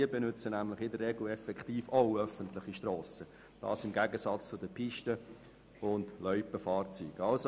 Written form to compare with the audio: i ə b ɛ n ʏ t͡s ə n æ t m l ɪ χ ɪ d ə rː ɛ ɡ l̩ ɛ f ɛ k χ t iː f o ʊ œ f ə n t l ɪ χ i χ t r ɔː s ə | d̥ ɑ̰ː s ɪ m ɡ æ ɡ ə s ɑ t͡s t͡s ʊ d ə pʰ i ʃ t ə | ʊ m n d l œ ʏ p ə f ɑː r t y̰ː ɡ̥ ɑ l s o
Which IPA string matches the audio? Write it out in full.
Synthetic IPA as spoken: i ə b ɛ n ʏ t͡s ə n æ m l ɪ χ ɪ d ə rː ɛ ɡ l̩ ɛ f ɛ k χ t iː f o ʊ œ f ə n t l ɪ χ i ʃ t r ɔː s ə | d̥ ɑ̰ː s ɪ m ɡ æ ɡ ə s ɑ t͡s t͡s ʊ d ə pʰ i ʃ t ə | ʊ n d l œ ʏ p ə f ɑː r t͡s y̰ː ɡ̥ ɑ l s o